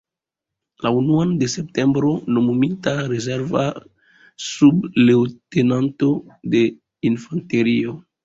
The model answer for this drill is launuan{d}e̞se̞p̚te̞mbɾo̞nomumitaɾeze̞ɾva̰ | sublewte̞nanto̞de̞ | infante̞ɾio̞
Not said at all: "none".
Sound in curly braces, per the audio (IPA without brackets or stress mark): d